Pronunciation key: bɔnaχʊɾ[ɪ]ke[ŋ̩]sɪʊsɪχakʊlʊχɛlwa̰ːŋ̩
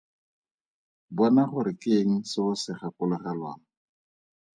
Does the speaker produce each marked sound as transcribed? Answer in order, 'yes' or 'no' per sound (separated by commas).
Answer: yes, yes